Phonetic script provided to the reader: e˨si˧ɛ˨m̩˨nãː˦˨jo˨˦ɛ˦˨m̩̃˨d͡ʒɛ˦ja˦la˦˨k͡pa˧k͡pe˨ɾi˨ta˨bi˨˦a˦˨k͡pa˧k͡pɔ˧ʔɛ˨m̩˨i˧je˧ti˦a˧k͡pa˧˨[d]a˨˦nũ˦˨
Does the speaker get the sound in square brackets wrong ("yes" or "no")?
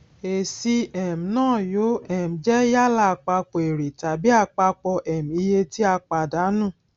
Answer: no